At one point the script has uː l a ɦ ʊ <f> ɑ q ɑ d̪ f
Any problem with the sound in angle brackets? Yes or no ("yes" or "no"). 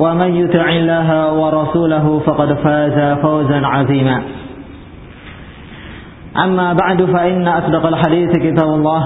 no